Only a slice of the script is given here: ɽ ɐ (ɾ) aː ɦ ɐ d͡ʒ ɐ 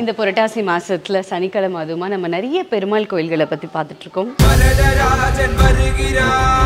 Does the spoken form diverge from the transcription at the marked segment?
no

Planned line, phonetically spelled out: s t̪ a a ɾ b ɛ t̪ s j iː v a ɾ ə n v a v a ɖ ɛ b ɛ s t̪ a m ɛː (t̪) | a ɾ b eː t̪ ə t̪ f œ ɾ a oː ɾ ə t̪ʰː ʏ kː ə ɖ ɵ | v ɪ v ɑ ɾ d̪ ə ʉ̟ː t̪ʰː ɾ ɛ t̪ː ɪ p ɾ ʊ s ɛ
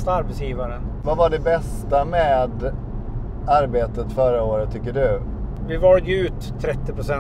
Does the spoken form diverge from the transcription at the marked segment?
yes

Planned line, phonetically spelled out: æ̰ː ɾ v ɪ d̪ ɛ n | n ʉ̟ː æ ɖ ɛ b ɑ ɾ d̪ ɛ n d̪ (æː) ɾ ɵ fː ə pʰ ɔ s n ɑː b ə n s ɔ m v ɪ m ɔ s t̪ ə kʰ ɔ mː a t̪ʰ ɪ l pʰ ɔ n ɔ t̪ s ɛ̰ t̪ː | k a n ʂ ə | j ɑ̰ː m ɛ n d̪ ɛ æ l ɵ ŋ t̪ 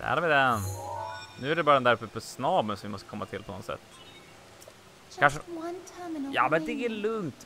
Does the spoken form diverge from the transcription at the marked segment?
yes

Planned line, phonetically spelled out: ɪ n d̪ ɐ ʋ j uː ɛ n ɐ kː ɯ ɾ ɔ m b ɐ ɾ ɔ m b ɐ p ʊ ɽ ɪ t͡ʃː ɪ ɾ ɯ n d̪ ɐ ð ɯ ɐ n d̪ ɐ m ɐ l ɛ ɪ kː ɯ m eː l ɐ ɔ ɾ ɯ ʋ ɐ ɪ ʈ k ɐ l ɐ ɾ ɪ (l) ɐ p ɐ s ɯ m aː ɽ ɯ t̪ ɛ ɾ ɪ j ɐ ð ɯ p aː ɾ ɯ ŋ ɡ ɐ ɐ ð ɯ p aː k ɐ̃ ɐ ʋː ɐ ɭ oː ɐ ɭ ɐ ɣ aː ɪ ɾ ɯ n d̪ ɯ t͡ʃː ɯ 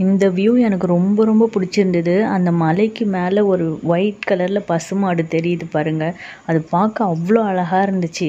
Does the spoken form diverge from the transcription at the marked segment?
no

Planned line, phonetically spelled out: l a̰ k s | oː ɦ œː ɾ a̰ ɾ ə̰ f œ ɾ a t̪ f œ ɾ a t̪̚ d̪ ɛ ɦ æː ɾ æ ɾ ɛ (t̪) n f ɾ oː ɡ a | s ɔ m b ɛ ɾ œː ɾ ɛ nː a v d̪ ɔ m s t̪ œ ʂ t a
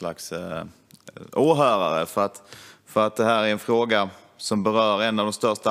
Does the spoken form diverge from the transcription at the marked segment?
yes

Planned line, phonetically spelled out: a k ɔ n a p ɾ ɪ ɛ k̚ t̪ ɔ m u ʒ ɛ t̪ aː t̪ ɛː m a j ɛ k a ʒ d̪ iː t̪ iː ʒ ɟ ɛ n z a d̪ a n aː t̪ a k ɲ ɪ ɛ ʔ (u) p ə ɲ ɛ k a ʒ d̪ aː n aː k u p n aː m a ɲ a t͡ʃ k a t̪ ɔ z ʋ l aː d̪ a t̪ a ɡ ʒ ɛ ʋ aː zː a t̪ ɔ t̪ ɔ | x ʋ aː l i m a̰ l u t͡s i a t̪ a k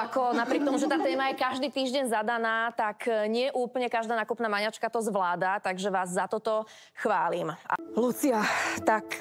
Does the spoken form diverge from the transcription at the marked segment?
yes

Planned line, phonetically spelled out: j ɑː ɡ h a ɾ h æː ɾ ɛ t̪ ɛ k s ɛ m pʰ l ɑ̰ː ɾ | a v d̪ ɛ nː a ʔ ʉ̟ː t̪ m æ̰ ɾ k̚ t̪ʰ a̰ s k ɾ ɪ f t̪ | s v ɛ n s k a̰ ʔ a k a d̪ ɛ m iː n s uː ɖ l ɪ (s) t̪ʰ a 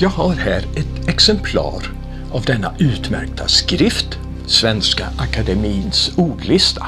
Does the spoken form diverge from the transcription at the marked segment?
no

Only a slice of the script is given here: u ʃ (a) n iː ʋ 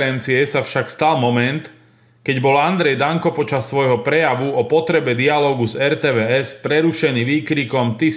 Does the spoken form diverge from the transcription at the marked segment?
yes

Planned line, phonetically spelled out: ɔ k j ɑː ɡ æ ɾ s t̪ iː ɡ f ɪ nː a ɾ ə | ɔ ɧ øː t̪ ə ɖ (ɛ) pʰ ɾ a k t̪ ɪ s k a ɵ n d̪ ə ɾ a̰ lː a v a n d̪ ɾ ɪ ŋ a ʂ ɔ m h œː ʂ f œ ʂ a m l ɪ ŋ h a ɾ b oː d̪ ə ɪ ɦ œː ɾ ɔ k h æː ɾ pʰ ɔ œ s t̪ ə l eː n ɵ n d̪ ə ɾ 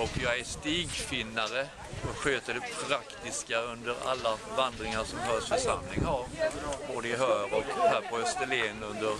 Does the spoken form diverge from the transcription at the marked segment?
no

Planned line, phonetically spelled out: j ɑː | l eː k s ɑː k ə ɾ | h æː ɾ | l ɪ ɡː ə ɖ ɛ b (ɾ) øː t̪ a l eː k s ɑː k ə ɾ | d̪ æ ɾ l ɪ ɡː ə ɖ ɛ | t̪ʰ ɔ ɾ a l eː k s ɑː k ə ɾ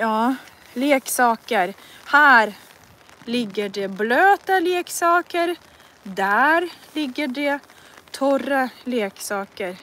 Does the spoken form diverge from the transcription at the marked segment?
yes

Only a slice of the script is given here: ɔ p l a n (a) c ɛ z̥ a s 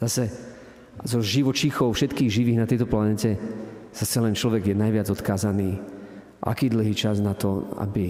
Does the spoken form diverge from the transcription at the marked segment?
yes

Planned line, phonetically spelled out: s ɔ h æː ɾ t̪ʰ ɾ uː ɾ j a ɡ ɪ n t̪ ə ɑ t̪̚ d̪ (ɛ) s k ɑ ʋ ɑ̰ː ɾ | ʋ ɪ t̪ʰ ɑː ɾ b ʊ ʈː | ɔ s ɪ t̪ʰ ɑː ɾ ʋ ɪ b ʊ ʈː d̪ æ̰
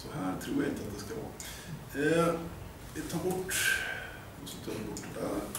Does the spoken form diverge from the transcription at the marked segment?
no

